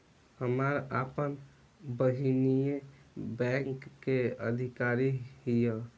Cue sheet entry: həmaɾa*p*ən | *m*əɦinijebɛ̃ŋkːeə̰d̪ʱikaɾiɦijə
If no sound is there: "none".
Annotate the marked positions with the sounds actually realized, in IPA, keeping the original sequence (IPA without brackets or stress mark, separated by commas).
p, b